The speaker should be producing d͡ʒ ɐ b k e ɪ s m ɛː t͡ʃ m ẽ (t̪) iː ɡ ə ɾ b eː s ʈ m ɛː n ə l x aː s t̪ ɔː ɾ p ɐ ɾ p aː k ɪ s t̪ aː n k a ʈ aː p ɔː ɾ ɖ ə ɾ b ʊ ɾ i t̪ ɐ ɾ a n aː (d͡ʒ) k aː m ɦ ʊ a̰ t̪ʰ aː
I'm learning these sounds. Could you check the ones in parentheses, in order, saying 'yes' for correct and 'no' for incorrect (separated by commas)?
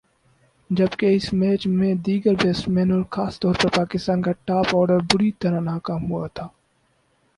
no, no